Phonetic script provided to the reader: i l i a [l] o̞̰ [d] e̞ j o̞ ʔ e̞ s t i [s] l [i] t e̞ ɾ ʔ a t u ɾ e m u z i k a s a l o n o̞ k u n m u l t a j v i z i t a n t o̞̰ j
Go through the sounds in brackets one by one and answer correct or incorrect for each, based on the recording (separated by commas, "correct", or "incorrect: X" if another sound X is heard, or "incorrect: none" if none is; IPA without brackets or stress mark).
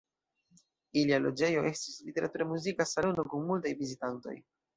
correct, incorrect: d͡ʒ, correct, correct